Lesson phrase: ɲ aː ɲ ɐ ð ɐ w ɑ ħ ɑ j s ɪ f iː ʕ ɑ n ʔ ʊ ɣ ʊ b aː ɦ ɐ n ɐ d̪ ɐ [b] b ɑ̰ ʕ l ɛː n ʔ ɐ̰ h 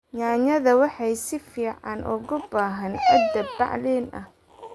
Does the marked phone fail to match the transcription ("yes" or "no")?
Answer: no